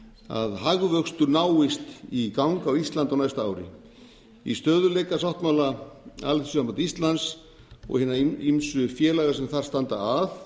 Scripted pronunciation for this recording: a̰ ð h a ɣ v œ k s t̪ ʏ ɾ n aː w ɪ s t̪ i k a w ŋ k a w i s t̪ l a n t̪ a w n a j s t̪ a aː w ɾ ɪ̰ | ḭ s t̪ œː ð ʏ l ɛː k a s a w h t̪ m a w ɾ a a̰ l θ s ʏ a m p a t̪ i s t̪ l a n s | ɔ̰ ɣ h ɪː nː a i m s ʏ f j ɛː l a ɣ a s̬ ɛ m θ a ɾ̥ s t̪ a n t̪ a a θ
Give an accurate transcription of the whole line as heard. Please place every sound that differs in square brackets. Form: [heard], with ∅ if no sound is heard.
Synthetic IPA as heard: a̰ ð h a ɣ v œ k s t̪ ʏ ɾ n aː w ɪ s t̪ i k a w ŋ k a w i s t̪ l a n t̪ a w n a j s t̪ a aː w ɾ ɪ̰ | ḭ s t̪ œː ð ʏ l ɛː k a s a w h t̪ m a w [l] a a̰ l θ s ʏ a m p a t̪ i s t̪ l a n s | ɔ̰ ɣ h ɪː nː a i m s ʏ f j ɛː l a ɣ a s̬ ɛ m θ a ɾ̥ s t̪ a n t̪ a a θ

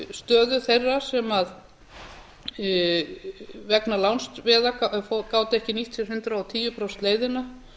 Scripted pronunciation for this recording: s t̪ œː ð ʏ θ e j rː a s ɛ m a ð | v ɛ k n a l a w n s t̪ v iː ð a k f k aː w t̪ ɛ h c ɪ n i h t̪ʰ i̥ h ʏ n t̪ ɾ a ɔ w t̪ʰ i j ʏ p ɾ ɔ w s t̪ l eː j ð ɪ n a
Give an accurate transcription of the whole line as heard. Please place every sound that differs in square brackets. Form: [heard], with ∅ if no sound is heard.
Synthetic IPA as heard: s t̪ œː ð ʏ θ e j rː a s ɛ m a ð | v ɛ k n a l a w n s t̪ v [ɛː] ð a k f k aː w t̪ ɛ h c ɪ n i h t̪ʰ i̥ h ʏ n t̪ ɾ a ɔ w t̪ʰ [iː] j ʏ p ɾ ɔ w s t̪ l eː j ð ɪ n a

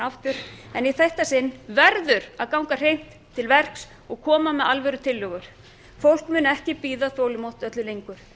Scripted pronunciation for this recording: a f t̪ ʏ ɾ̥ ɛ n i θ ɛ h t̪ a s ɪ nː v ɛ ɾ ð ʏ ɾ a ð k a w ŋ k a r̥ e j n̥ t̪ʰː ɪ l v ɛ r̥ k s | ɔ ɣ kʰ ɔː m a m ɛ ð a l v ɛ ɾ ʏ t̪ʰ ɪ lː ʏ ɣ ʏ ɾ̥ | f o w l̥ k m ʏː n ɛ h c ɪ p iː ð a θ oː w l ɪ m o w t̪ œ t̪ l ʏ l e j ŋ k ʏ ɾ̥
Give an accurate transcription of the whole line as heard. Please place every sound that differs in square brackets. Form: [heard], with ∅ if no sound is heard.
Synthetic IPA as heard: a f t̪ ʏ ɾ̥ ɛ n i θ ɛ h t̪ a s ɪ nː v ɛ ɾ ð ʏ ɾ a ð k a w ŋ k a r̥ e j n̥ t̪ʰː ɪ l v ɛ r̥ k s | ɔ ɣ kʰ ɔː m a m ɛ ð a l v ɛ ɾ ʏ t̪ʰ ɪ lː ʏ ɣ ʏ ɾ̥ | f o w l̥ k m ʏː n ɛ h c ɪ p iː ð a θ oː w l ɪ m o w t̪ œ t̪ l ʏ l e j ŋ k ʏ ɾ̥

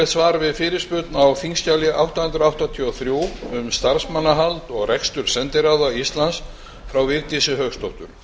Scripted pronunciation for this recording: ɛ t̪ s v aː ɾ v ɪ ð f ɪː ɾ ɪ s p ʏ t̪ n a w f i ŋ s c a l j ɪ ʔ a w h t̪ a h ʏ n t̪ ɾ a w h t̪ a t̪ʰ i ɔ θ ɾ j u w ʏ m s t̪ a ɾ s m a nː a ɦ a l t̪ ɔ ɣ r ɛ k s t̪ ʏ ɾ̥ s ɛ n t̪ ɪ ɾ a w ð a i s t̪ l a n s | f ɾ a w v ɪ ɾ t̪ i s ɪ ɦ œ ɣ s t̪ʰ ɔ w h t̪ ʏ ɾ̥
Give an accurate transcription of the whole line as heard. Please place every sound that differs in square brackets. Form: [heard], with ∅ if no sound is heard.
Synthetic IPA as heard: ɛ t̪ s v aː ɾ v ɪ ð f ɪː ɾ ɪ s p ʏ t̪ n a w f i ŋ s c a l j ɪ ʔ a w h t̪ a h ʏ n t̪ ɾ a w h t̪ a t̪ʰ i ɔ θ ɾ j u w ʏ m s t̪ a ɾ s m a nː a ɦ a l t̪ ɔ ɣ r ɛ k s t̪ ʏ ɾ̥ s ɛ n t̪ ɪ ɾ a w ð a i s t̪ l a n s | f ɾ a w v ɪ ɾ t̪ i s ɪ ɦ œ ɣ s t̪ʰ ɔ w h t̪ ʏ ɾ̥

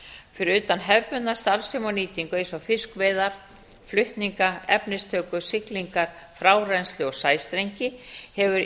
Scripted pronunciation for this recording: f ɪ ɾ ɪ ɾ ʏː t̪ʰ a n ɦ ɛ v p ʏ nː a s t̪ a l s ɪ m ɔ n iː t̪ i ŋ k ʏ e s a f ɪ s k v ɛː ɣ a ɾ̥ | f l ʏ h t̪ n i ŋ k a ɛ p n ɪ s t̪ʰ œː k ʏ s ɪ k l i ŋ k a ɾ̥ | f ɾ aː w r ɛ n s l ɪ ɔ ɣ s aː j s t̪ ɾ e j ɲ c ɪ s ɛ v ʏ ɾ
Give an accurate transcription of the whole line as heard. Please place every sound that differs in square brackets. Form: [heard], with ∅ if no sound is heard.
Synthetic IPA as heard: f ɪ ɾ ɪ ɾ ʏː [t̪] a n ɦ ɛ v p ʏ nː a s t̪ a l s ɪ m ɔ n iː t̪ i ŋ k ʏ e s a f ɪ s k v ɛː [ð] a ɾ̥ | f l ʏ h t̪ n i ŋ k a ɛ p n ɪ s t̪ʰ œː k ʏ s ɪ k l i ŋ k a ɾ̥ | f ɾ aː w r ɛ n s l ɪ ɔ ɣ s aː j s t̪ ɾ e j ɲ c ɪ [h] ɛ v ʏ ɾ

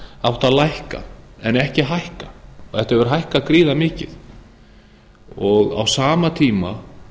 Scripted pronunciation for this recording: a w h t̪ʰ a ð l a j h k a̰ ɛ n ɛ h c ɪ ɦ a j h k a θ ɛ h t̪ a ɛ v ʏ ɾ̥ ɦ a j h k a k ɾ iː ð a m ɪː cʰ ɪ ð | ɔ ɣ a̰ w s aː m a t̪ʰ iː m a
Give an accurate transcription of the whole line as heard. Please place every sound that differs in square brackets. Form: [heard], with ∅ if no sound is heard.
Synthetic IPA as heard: a w h [t̪] a ð l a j h k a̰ ɛ n ɛ h c ɪ ɦ a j h k a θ ɛ h t̪ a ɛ v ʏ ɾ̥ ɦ a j h k a k ɾ iː ð a m ɪː [c] ɪ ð | ɔ ɣ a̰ w s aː m a t̪ʰ iː m a

